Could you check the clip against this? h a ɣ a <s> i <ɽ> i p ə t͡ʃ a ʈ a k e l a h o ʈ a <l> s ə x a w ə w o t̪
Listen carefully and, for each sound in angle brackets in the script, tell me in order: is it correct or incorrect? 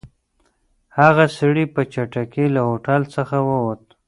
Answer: correct, correct, correct

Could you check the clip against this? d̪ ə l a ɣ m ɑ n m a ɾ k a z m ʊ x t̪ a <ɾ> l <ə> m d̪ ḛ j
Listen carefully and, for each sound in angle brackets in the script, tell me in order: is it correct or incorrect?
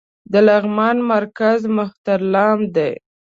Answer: correct, incorrect: ɑ

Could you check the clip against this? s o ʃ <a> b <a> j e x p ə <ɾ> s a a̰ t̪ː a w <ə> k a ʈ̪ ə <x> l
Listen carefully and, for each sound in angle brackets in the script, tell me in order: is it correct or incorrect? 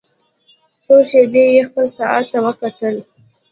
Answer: incorrect: e, incorrect: e, incorrect: l, correct, incorrect: none

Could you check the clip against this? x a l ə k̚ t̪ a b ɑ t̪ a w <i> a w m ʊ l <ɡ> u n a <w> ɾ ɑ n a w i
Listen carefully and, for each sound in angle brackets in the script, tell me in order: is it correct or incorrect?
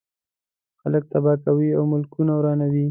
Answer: correct, incorrect: k, correct

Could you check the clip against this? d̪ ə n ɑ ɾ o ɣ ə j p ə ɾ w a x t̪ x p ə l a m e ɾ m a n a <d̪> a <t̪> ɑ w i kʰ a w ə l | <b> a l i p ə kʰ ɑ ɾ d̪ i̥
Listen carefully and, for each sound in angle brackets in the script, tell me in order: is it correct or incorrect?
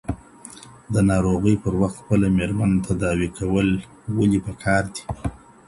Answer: incorrect: t̪, incorrect: d̪, incorrect: w

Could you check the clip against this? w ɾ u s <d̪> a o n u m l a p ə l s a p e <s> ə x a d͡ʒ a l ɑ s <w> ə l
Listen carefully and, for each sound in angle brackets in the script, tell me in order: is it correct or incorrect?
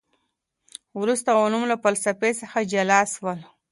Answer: incorrect: t̪, correct, correct

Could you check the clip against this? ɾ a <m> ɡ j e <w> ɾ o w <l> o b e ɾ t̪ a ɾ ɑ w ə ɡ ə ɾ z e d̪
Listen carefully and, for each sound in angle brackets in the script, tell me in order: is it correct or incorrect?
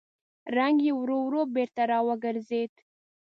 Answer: incorrect: ŋ, correct, incorrect: ɾ

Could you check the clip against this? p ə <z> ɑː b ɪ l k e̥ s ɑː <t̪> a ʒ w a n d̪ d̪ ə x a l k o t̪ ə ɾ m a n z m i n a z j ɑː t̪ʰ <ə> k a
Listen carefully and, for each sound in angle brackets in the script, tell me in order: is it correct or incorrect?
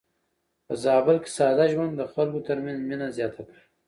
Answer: correct, incorrect: d̪, incorrect: a

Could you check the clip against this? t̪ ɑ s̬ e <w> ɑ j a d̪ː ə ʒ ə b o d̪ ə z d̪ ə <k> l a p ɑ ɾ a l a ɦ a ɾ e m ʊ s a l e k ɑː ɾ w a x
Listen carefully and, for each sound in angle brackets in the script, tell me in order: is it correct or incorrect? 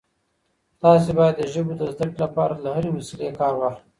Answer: incorrect: b, correct

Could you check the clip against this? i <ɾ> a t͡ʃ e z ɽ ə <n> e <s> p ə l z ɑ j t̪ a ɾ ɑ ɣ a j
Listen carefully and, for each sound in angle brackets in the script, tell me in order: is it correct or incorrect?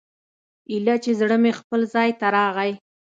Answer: incorrect: l, incorrect: m, incorrect: x

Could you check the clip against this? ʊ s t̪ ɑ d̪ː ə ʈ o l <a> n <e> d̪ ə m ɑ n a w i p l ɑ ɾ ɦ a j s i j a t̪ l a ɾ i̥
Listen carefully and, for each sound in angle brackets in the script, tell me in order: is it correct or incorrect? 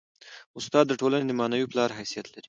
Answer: correct, correct

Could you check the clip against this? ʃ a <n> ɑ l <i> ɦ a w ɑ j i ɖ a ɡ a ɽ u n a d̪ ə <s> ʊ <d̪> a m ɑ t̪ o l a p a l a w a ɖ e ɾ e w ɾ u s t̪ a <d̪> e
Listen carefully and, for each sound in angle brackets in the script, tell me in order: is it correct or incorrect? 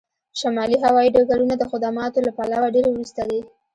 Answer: incorrect: m, correct, incorrect: x, correct, correct

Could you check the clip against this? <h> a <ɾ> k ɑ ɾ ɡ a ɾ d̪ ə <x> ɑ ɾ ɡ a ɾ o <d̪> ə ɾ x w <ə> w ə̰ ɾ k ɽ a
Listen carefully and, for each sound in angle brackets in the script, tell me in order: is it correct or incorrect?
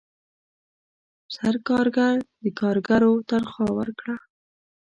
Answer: incorrect: s, correct, incorrect: k, incorrect: t̪, incorrect: ɑ

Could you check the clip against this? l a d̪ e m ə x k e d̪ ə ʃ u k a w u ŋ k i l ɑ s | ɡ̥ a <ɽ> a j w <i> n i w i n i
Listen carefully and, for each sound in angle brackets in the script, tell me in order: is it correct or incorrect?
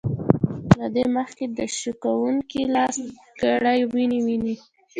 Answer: correct, correct

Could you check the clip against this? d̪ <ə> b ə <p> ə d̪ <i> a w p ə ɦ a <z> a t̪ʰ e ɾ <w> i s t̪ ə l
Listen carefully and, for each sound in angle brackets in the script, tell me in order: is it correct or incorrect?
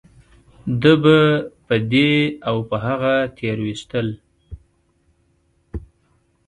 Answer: correct, correct, incorrect: e, incorrect: ɣ, correct

